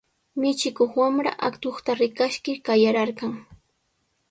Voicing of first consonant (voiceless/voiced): voiced